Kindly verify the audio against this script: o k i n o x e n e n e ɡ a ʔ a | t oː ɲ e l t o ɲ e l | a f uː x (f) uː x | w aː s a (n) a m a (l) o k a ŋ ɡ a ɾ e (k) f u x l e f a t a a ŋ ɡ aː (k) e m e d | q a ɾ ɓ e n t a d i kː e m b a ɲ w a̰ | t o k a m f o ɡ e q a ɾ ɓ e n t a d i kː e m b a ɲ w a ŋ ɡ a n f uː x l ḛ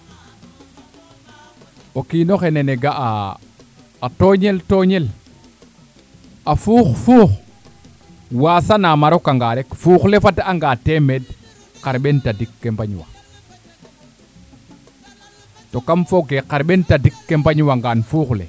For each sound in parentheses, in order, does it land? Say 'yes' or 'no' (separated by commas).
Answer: yes, yes, no, yes, no